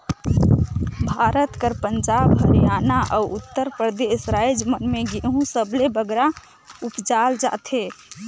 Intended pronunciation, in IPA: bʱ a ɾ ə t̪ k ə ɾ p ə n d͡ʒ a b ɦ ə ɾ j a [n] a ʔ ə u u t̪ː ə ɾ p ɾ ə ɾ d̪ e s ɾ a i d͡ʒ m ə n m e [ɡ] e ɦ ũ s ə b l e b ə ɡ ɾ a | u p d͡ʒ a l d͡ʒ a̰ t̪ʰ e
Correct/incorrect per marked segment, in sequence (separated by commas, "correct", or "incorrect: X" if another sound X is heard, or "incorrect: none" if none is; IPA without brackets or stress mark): correct, correct